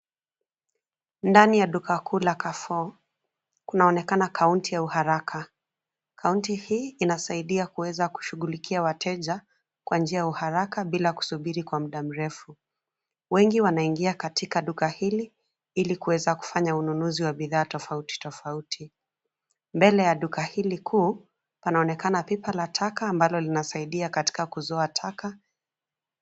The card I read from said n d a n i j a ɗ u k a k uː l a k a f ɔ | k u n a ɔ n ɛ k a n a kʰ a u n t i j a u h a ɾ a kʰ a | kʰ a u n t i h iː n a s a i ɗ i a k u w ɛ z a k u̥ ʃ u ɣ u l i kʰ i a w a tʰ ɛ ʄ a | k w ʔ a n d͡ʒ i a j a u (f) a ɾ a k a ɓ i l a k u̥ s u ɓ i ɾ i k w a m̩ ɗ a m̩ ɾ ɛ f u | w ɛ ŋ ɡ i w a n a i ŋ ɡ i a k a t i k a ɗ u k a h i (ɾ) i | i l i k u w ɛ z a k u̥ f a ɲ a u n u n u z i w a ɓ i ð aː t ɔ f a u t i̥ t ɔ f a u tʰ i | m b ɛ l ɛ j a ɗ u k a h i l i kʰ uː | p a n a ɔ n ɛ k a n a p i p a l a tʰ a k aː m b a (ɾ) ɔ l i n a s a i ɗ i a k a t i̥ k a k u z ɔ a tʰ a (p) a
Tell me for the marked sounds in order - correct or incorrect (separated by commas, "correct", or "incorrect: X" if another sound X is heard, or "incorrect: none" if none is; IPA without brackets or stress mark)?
incorrect: h, incorrect: l, incorrect: l, incorrect: k